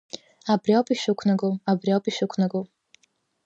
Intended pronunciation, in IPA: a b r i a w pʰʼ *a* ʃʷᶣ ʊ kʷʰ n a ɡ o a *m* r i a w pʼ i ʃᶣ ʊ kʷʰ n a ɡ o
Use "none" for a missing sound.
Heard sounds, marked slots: i, b

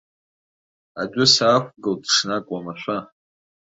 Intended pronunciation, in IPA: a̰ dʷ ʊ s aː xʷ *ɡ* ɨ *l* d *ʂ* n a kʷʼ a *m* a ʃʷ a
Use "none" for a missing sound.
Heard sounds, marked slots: ɡ, l, ʂ, m

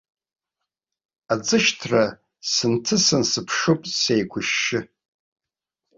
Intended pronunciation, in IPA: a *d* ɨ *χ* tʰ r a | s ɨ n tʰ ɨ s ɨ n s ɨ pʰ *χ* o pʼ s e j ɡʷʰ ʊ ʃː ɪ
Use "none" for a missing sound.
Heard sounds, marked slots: d͡z, ʃ, ʂ

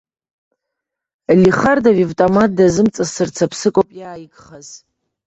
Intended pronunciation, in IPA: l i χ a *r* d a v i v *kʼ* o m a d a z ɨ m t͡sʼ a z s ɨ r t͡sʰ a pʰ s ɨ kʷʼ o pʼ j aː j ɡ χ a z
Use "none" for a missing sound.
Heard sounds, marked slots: r, tʼ

